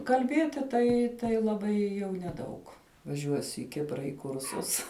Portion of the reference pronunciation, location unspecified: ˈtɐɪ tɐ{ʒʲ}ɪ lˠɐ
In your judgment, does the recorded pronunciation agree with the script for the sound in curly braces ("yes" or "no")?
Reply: no